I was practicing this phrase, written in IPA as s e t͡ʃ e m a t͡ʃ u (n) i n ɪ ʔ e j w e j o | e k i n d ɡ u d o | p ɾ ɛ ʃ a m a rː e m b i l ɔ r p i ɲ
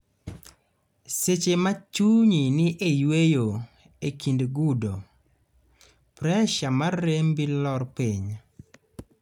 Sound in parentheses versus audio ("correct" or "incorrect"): incorrect